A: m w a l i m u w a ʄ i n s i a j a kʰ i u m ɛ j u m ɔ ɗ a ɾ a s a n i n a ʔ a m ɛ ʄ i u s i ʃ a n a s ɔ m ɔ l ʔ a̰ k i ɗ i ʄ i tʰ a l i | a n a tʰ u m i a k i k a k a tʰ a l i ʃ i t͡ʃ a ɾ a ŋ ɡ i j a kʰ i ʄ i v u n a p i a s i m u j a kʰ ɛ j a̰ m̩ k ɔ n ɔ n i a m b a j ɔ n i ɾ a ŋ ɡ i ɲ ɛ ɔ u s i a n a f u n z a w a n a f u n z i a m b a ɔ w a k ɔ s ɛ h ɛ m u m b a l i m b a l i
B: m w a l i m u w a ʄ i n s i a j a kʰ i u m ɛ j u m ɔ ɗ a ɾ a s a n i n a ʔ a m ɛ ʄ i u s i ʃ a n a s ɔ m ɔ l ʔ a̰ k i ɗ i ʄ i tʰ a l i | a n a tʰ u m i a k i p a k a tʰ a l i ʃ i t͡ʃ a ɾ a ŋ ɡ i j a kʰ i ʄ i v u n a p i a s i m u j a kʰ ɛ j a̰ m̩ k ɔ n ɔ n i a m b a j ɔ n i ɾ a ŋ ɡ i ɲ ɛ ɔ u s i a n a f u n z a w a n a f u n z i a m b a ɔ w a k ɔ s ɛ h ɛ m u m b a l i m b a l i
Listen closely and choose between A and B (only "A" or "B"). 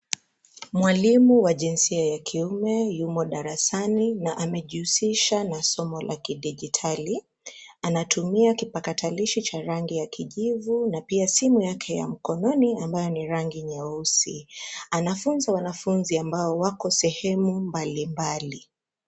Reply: B